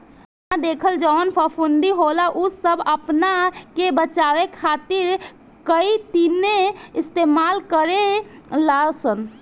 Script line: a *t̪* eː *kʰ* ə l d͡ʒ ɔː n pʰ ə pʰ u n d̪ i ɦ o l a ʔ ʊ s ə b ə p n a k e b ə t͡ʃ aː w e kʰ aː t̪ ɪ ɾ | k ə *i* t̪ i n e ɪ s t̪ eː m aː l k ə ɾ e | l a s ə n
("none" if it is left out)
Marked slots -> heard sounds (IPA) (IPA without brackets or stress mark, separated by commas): d̪, kʰ, i